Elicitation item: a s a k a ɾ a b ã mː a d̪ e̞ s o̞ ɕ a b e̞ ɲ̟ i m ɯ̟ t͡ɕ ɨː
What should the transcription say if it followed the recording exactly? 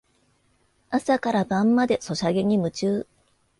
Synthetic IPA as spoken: a s a k a ɾ a b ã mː a d̪ e̞ s o̞ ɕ a ɡ e̞ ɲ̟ i m ɯ̟ t͡ɕ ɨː